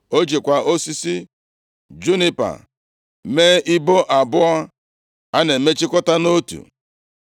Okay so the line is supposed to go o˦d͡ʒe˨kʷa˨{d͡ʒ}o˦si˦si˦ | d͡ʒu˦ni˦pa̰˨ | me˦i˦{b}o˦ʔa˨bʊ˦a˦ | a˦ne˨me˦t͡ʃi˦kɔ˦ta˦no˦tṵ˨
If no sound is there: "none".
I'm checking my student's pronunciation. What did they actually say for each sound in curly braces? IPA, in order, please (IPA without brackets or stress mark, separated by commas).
none, b